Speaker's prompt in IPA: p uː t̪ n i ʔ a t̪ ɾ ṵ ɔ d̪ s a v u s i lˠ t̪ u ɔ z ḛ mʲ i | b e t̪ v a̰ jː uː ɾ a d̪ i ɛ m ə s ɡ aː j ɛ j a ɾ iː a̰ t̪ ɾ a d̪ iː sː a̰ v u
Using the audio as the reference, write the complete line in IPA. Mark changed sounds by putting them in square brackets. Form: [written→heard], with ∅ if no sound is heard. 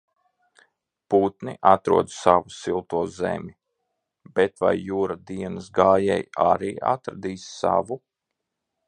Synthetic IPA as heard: p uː t̪ n i ʔ a t̪ ɾ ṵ ɔ d̪ s a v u s i lˠ t̪ u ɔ z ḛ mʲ i | b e t̪ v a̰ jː uː ɾ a d̪ i ɛ [m→n] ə s ɡ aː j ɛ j a ɾ iː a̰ t̪ ɾ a d̪ iː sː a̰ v u